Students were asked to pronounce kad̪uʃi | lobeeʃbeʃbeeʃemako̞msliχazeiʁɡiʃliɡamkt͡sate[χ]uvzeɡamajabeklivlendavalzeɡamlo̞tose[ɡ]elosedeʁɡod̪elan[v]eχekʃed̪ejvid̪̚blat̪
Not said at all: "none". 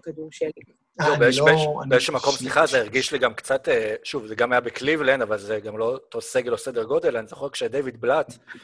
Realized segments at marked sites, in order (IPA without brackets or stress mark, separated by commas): ʃ, ɡ, z